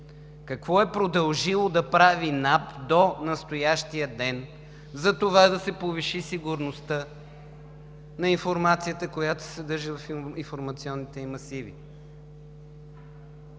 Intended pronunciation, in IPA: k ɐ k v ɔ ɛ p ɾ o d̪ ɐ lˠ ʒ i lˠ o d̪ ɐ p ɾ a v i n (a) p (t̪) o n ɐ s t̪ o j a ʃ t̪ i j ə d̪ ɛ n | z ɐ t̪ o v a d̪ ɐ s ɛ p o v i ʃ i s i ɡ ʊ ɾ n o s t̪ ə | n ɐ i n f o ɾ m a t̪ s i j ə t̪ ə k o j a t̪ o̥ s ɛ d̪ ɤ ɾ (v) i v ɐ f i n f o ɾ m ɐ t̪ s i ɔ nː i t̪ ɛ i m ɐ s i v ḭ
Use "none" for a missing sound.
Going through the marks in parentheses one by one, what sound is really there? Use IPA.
a, d̪, ʒ

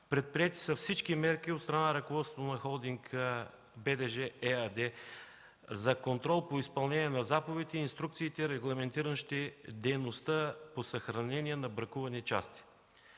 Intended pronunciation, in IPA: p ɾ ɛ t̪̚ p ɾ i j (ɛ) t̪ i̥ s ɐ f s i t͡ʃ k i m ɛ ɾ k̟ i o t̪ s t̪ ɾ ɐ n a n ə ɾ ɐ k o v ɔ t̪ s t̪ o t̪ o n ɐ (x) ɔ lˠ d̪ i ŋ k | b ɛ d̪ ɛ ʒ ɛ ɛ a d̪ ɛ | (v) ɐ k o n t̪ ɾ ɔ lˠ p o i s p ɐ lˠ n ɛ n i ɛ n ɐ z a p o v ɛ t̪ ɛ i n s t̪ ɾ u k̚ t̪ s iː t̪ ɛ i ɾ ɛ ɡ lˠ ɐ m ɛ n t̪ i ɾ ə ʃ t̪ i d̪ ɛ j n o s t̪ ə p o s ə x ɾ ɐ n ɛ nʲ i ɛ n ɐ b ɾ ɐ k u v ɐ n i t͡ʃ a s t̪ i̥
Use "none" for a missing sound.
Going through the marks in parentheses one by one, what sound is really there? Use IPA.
ɛ, x, z

